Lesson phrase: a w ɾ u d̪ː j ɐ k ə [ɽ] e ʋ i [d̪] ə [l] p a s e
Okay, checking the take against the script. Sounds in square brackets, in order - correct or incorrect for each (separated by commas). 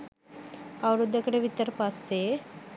correct, incorrect, incorrect